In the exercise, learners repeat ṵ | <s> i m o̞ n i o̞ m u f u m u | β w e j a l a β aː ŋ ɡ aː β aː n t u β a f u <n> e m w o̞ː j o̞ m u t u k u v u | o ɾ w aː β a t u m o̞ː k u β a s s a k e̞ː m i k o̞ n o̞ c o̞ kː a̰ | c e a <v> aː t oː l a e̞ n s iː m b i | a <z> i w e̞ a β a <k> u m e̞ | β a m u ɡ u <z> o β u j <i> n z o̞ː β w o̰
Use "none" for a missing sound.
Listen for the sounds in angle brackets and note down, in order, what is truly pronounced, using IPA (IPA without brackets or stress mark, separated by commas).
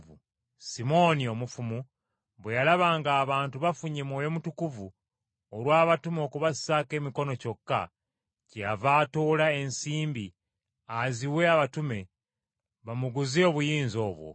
s, ɲ, v, z, t, z, iː